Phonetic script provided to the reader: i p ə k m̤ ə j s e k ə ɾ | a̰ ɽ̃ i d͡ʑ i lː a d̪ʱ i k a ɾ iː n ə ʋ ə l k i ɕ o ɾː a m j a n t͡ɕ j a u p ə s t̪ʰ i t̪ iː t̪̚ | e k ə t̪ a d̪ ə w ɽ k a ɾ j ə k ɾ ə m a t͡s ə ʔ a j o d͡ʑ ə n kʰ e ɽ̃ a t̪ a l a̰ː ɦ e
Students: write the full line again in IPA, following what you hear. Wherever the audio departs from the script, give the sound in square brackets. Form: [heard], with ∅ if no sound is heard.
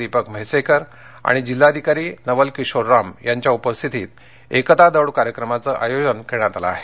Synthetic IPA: i p ə k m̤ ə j s e k ə ɾ | a̰ ɽ̃ i d͡ʑ i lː a d̪ʱ i k a ɾ iː n ə ʋ ə l k i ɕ o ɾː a m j a [ɲ] t͡ɕ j a u p ə s t̪ʰ i t̪ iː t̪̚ | e k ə t̪ a d̪ ə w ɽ k a ɾ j ə k ɾ ə m a t͡s ə ʔ a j o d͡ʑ ə n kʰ e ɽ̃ a t̪ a l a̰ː ɦ e